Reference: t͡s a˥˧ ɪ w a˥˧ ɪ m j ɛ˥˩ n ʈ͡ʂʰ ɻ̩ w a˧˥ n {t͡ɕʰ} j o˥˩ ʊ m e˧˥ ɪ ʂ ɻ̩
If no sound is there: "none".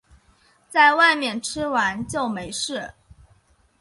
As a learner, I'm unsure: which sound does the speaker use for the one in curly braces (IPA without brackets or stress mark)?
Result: t͡ɕ